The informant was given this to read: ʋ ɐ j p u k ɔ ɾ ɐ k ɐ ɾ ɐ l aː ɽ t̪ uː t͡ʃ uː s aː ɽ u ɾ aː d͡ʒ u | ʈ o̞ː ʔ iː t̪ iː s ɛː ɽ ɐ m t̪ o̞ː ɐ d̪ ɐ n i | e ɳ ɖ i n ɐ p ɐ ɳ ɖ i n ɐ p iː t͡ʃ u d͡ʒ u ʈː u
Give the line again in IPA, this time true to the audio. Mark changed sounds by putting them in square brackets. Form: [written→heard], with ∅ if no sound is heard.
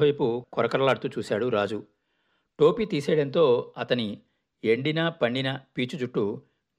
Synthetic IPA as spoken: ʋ ɐ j p u k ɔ ɾ ɐ k ɐ ɾ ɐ l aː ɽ t̪ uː t͡ʃ uː s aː ɽ u ɾ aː d͡ʒ u | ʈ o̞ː [ʔ→p] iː t̪ iː s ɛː ɽ ɐ [m→n] t̪ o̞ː ɐ [d̪→t̪] ɐ n i | e ɳ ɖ i n ɐ p ɐ ɳ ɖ i n ɐ p iː t͡ʃ u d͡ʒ u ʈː u